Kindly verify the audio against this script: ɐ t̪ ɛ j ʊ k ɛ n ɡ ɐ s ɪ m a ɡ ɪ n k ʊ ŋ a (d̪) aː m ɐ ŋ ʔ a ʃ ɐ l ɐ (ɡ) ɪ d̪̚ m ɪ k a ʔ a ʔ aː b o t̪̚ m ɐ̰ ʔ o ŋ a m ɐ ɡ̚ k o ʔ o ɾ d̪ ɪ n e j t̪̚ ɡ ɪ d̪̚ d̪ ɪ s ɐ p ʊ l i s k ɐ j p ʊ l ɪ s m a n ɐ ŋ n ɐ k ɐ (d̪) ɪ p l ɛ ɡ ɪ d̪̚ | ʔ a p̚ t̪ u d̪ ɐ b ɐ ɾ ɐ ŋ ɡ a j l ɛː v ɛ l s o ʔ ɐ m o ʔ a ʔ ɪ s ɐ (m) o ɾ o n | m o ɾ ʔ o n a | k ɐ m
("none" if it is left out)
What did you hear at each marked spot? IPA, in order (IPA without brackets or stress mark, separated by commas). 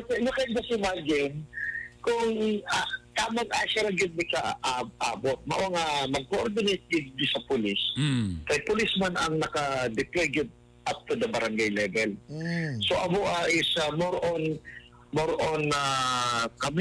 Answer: t̪, ɡ, d̪, m